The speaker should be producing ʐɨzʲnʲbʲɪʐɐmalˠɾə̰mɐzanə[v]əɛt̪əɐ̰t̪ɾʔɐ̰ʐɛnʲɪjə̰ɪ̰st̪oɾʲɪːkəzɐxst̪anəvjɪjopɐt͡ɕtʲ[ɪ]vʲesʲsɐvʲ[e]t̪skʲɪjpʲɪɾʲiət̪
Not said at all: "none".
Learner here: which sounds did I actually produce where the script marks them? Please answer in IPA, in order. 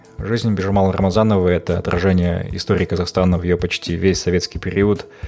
v, i, e

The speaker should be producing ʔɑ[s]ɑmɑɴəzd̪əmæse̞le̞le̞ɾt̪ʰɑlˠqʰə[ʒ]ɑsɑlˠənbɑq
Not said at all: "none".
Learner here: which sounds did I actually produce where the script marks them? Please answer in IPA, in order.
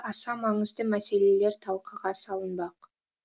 s, ʁ

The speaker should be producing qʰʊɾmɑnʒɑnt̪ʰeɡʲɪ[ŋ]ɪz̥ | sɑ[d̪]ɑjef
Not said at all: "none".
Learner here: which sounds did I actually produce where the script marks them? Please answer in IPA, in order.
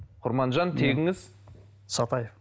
ŋ, t̪

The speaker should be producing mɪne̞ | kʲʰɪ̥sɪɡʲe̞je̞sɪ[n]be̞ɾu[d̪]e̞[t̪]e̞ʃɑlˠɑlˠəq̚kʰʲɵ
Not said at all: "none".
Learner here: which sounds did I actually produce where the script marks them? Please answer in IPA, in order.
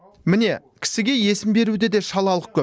m, d̪, d̪

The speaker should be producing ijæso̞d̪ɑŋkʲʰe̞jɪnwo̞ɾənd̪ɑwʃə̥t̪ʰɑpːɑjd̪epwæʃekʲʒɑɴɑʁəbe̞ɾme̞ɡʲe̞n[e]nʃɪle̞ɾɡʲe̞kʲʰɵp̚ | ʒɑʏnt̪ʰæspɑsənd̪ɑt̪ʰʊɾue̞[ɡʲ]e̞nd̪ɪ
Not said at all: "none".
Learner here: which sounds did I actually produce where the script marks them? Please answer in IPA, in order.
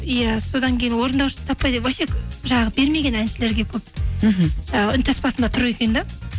æ, kʲ

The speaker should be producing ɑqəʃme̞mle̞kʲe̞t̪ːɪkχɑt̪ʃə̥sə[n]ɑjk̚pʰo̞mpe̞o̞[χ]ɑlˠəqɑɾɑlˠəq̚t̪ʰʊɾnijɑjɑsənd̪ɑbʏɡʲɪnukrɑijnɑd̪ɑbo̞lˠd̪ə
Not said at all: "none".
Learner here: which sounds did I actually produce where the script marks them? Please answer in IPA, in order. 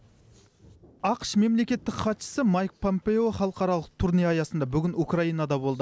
m, χ

